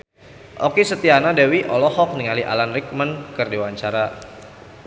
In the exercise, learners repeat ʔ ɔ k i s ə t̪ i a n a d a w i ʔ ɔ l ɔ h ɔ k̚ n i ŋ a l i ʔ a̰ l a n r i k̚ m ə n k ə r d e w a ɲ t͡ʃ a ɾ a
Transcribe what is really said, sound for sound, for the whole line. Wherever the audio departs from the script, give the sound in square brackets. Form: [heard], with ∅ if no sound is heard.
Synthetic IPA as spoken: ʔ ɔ k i s ə t̪ i a n a d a w i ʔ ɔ l ɔ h ɔ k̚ n i ŋ a l i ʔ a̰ l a n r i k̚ m ə n k ə r d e w a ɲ t͡ʃ a ɾ a